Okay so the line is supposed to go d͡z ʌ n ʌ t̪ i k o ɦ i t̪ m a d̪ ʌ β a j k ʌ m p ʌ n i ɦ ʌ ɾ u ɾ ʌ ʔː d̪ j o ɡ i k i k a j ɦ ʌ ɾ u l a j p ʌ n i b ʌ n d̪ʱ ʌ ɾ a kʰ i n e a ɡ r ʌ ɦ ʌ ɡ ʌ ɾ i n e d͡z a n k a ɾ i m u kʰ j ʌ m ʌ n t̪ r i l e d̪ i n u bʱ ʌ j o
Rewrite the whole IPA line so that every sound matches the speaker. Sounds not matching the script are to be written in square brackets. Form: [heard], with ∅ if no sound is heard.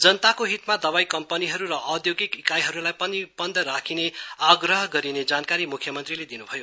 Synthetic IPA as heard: d͡z ʌ n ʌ t̪ [a] k o ɦ i t̪ m a d̪ ʌ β a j k ʌ m p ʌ n i ɦ ʌ ɾ u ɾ ʌ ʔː d̪ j o ɡ i k i k a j ɦ ʌ ɾ u l a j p ʌ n i b ʌ n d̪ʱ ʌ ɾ a kʰ i n e a ɡ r ʌ ɦ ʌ ɡ ʌ ɾ i n e d͡z a n k a ɾ i m u kʰ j ʌ m ʌ n t̪ r i l e d̪ i n u bʱ ʌ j o